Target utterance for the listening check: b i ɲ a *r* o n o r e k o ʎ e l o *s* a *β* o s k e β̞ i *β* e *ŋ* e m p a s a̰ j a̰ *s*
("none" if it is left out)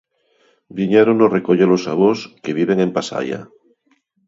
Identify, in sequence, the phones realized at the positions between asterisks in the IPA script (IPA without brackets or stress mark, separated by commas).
ɾ, s, β, β, ŋ, none